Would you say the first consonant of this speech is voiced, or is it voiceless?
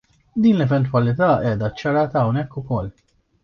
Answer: voiced